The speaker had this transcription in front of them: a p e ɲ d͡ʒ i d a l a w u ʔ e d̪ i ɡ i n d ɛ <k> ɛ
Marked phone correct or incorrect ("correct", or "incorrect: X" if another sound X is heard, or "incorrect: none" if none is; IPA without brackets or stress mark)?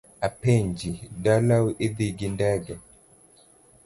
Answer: incorrect: ɡ